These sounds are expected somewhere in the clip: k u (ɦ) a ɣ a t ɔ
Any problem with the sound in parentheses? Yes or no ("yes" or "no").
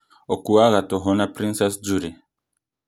yes